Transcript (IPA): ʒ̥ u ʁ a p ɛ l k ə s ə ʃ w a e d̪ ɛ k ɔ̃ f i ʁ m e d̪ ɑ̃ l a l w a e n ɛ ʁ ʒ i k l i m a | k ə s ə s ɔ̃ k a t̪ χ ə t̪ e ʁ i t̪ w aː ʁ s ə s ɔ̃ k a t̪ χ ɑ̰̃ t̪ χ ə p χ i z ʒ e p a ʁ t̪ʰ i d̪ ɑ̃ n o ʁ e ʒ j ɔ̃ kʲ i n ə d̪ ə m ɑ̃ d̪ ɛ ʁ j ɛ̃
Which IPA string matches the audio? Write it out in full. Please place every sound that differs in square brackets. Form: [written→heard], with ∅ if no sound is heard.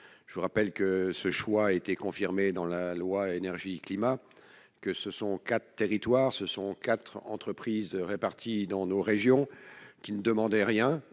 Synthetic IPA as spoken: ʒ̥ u ʁ a p ɛ l k ə s ə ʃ w a e [d̪→t̪] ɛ k ɔ̃ f i ʁ m e d̪ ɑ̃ l a l w a e n ɛ ʁ ʒ i k l i m a | k ə s ə s ɔ̃ k a t̪ χ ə t̪ e ʁ i t̪ w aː ʁ s ə s ɔ̃ k a t̪ χ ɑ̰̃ t̪ χ ə p χ i z [ʒ→ʁ] e p a ʁ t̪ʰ i d̪ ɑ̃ n o ʁ e ʒ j ɔ̃ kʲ i n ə d̪ ə m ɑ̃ d̪ ɛ ʁ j ɛ̃